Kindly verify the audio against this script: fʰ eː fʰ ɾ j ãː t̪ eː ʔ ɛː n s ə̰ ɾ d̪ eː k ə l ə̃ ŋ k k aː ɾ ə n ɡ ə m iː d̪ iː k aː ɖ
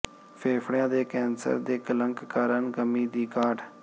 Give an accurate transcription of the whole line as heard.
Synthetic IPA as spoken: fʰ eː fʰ ɽ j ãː d̪ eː k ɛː n s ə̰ ɾ d̪ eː k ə l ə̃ ŋ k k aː ɾ ə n ɡ ə m iː d̪ iː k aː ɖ